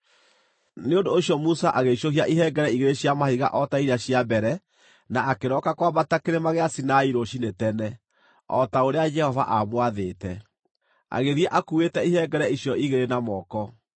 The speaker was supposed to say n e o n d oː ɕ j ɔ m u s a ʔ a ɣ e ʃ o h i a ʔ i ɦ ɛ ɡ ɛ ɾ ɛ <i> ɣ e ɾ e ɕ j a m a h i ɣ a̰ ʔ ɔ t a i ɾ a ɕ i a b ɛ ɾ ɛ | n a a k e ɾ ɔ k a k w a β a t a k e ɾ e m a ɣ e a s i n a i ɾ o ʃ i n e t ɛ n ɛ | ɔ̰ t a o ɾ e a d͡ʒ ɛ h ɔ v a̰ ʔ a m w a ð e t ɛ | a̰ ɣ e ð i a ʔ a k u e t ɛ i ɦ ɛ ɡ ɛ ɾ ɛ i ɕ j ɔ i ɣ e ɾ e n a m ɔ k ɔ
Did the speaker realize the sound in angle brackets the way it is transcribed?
yes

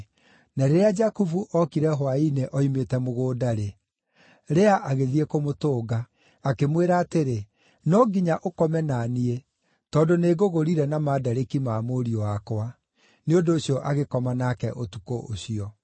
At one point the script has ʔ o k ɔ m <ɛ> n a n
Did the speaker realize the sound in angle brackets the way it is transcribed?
yes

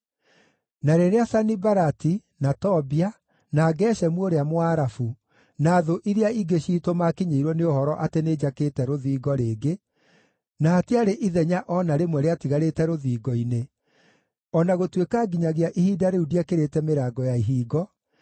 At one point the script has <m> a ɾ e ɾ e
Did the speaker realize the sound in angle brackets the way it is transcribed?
no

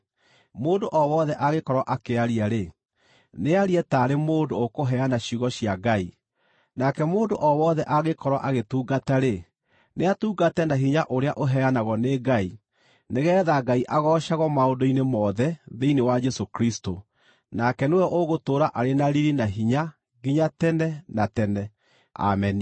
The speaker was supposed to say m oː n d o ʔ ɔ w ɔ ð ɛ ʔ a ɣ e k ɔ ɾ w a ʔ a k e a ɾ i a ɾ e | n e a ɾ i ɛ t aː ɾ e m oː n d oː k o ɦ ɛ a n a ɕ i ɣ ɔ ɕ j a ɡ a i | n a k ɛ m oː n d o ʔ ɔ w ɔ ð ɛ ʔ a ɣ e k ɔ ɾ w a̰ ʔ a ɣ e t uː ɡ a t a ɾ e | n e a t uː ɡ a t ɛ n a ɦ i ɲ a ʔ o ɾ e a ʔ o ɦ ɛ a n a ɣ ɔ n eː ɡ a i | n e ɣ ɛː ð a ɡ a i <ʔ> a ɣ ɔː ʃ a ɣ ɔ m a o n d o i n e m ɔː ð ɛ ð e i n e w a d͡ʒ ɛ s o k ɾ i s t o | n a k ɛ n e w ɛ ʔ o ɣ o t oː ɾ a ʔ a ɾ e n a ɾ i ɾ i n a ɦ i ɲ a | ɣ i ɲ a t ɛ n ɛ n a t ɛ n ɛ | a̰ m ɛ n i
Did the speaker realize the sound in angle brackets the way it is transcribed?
yes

